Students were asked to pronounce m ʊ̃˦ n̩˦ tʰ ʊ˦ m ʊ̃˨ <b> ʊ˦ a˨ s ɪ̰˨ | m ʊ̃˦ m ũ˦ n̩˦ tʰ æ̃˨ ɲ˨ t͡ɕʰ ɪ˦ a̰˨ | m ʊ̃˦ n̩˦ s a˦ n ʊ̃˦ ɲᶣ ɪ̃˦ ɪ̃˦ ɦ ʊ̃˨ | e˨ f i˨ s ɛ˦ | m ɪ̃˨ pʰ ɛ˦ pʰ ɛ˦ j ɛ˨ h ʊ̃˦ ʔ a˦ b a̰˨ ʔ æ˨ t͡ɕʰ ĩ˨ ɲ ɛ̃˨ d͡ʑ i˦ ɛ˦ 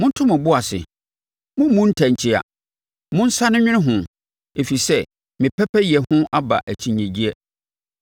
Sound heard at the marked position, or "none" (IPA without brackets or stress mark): b